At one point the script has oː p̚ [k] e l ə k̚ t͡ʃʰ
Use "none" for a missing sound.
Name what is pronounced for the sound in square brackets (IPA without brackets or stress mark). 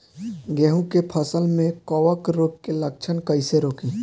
k